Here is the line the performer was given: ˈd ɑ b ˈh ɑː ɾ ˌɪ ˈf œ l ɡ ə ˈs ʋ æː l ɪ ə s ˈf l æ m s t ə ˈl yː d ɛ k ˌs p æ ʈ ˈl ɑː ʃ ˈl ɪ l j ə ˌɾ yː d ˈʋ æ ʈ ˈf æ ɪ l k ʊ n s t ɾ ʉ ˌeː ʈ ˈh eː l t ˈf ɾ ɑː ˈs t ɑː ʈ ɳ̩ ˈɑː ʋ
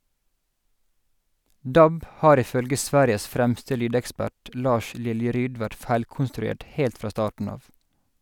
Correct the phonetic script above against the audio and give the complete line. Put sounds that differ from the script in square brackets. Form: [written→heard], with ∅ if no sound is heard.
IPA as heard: ˈd ɑ b ˈh ɑː ɾ ˌɪ ˈf œ l ɡ ə ˈs ʋ æː [l→ɾ] ɪ ə s ˈf [l→ɾ] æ m s t ə ˈl yː d ɛ k ˌs p æ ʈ ˈl ɑː ʃ ˈl ɪ l j ə ˌɾ yː d ˈʋ æ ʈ ˈf æ ɪ l k ʊ n s t ɾ ʉ ˌeː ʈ ˈh eː l t ˈf ɾ ɑː ˈs t ɑː ʈ ɳ̩ ˈɑː ʋ